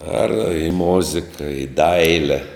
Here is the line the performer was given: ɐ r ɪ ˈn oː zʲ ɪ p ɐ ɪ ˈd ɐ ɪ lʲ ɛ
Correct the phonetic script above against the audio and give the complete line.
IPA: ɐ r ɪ ˈm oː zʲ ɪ k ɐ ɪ ˈd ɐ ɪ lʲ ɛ